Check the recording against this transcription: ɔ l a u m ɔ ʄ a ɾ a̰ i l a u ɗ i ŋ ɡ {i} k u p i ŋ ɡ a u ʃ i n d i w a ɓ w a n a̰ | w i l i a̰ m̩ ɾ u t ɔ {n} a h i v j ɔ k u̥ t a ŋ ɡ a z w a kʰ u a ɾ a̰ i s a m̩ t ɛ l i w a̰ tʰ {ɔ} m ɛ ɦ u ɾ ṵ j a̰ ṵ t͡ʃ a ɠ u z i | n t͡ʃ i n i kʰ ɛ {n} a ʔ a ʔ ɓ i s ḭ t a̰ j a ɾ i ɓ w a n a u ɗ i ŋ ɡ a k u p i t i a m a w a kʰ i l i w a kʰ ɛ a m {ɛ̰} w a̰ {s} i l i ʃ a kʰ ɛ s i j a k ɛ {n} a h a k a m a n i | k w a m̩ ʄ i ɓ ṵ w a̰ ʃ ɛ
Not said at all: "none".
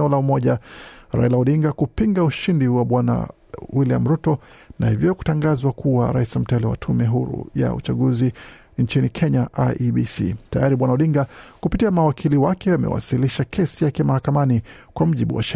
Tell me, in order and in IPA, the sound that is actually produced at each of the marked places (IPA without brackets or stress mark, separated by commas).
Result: a, n, u, ɲ, ɛ̰, s, m